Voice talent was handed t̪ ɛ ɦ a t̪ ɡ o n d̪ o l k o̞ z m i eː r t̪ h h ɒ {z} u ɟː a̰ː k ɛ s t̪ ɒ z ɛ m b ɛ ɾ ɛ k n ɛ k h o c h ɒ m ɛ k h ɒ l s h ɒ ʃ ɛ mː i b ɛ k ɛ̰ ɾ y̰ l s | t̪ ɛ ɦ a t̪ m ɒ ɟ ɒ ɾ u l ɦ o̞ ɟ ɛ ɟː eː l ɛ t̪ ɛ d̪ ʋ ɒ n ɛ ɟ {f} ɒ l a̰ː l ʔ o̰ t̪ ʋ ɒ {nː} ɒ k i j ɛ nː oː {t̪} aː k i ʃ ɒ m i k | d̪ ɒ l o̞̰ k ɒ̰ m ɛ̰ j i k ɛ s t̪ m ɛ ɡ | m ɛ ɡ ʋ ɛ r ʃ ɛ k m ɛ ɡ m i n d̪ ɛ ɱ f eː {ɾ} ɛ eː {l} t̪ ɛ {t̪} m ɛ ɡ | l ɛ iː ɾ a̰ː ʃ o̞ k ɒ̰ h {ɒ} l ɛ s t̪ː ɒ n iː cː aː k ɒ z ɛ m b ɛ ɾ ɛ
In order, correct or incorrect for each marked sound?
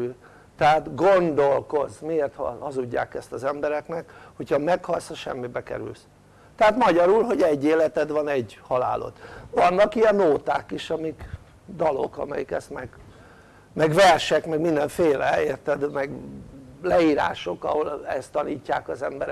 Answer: correct, incorrect, correct, correct, incorrect, incorrect, incorrect, incorrect

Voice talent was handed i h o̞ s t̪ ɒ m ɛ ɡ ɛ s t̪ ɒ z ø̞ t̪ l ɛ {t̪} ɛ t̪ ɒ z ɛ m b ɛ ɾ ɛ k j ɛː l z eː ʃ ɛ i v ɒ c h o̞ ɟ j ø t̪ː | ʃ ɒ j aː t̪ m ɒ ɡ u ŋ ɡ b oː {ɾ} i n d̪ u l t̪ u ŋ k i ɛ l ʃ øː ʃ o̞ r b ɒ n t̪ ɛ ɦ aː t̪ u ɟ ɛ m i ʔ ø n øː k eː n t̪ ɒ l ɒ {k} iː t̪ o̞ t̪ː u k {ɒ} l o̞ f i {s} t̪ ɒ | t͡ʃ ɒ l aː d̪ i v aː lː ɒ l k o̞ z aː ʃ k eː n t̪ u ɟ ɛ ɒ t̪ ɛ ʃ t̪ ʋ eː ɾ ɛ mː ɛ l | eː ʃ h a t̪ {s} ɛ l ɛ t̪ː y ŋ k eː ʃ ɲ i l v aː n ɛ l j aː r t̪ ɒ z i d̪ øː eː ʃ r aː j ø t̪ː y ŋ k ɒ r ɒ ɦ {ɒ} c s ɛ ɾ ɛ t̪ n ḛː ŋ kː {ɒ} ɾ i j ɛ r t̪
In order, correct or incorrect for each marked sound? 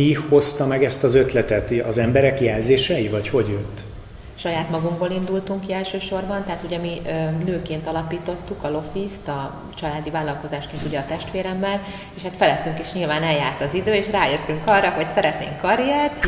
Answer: correct, incorrect, incorrect, correct, correct, incorrect, incorrect, correct

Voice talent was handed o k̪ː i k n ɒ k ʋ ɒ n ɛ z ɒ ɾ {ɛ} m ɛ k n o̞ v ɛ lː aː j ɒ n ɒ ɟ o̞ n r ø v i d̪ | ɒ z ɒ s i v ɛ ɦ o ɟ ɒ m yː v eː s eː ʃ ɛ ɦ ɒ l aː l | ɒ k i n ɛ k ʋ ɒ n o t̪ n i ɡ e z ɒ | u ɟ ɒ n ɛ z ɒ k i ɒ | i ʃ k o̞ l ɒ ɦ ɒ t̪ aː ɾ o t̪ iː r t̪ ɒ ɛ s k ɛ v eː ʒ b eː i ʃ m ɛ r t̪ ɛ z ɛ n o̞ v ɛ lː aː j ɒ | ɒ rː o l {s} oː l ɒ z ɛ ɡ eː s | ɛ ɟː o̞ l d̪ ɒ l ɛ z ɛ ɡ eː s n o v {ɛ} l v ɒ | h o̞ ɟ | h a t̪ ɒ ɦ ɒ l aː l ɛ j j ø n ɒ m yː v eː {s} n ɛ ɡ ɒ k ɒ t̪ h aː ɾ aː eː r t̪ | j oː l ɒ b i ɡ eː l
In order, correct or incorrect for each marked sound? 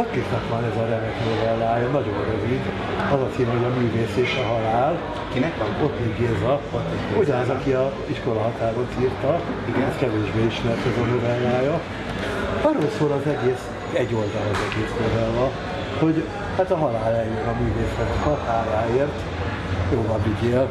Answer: correct, correct, correct, correct

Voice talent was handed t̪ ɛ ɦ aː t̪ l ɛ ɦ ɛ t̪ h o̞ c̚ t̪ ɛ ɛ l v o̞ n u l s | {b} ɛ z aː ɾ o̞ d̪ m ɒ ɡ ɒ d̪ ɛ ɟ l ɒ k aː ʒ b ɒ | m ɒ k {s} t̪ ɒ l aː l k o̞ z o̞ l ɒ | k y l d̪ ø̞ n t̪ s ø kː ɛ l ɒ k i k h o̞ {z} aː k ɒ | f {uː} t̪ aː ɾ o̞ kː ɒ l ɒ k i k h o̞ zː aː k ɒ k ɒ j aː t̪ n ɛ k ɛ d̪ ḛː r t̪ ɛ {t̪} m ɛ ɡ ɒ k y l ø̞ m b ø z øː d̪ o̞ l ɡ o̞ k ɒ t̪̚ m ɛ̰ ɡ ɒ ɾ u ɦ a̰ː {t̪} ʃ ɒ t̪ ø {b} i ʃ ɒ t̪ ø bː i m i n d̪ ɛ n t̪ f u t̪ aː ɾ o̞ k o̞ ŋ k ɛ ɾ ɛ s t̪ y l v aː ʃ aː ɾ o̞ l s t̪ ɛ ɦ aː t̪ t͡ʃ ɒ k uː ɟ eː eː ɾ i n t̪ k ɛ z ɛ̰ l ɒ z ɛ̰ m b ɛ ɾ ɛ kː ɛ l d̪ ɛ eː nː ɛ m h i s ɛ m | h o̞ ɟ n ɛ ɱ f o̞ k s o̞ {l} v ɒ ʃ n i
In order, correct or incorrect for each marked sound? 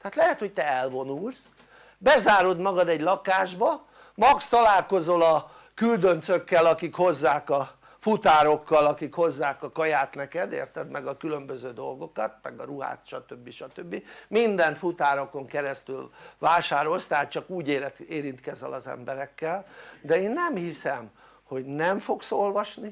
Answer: correct, correct, incorrect, incorrect, incorrect, correct, incorrect, correct

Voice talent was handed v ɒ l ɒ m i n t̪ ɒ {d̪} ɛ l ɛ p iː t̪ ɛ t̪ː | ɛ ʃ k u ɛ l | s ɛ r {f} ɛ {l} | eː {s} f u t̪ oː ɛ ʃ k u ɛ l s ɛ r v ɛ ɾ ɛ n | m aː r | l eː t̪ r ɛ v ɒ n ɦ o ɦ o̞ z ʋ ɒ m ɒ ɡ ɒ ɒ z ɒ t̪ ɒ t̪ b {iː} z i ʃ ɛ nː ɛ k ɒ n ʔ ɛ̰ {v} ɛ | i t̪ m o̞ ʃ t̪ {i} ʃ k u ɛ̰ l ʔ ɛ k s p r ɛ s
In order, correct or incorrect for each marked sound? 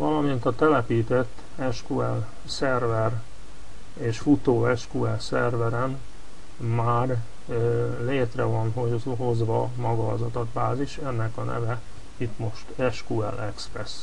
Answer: incorrect, incorrect, incorrect, incorrect, incorrect, correct, incorrect

